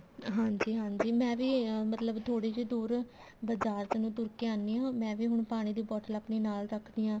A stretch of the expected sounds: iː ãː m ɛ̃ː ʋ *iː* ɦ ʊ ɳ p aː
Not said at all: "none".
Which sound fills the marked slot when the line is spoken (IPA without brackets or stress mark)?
iː